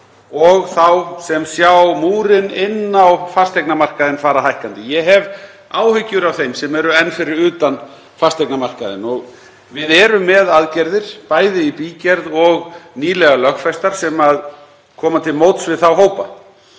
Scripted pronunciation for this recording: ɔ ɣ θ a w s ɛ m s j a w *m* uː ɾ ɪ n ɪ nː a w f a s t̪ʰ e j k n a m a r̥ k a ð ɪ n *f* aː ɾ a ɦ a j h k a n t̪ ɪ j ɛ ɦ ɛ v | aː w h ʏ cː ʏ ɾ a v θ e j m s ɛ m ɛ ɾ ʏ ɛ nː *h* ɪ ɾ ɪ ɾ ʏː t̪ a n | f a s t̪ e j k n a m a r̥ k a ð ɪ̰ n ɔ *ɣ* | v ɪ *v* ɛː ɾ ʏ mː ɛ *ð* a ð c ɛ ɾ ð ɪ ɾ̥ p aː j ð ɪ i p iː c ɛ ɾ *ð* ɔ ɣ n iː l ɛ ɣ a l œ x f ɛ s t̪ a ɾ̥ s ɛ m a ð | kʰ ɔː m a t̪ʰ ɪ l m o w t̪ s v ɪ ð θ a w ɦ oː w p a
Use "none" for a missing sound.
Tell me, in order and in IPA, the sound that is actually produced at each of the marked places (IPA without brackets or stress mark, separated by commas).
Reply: m, f, f, ɣ, ð, ð, ð